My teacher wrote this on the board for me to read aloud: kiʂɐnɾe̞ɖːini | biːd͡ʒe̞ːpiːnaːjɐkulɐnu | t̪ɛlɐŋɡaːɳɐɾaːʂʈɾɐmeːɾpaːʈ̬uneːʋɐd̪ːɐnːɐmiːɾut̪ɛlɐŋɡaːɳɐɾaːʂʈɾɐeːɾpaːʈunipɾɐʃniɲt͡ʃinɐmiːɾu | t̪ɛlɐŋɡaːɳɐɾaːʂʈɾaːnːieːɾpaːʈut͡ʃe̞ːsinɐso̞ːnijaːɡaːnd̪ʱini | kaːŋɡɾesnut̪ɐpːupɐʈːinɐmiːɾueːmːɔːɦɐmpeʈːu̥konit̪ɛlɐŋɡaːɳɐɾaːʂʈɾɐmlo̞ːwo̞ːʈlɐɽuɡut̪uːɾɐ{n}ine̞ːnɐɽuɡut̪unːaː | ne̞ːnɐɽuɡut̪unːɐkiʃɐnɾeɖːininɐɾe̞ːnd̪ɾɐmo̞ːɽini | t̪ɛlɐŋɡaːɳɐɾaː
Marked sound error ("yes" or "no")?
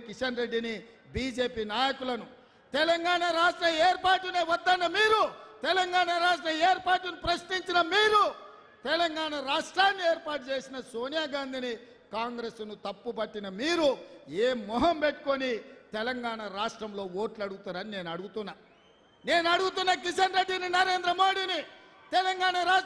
no